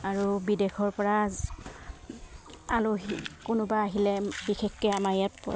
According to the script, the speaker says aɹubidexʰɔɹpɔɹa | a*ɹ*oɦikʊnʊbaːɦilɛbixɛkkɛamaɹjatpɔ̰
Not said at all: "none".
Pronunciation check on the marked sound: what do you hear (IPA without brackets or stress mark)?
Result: l